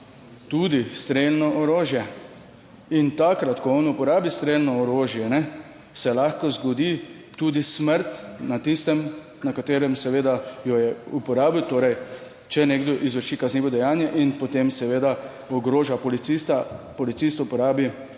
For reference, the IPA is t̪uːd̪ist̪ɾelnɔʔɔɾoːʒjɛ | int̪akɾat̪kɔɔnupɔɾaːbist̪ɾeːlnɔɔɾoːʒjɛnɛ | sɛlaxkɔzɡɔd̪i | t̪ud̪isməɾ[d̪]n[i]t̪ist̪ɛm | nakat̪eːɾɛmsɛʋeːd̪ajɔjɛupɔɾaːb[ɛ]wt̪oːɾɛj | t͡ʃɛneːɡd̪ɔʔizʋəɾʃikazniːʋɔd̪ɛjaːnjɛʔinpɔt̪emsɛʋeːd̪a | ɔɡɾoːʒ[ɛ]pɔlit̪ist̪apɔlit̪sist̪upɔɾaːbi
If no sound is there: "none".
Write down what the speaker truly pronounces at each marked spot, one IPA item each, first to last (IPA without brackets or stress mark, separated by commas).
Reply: t̪, a, i, a